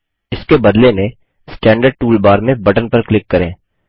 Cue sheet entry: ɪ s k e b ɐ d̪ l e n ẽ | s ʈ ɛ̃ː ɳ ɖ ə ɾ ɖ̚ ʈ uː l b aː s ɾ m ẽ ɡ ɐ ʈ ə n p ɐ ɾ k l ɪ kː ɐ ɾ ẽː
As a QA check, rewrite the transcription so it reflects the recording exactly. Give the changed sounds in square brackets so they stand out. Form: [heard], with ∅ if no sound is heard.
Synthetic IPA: ɪ s k e b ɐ d̪ l e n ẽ | s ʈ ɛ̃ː ɳ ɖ ə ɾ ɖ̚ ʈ uː l b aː [∅] ɾ m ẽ [b] ɐ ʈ ə n p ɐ ɾ k l ɪ kː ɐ ɾ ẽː